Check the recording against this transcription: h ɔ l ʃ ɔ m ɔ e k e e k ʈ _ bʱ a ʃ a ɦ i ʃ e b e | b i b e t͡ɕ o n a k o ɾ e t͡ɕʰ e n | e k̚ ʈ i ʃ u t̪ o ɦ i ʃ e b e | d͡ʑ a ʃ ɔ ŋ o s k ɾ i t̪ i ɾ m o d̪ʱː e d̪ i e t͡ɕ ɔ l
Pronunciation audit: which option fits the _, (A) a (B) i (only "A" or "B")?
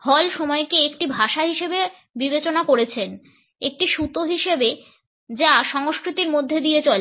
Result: B